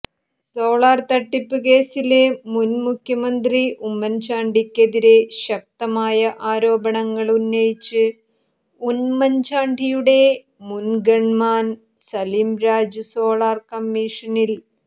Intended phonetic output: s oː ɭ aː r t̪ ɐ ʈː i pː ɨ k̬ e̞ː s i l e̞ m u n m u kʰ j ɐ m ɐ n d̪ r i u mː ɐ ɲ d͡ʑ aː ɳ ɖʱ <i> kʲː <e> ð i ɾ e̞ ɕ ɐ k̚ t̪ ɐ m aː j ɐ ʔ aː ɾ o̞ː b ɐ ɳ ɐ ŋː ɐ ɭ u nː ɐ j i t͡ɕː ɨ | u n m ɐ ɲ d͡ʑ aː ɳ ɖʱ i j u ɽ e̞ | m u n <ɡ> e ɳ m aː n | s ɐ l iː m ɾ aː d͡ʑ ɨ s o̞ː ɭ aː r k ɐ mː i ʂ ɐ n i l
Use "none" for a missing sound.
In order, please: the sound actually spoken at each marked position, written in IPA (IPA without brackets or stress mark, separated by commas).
i, e, ɡ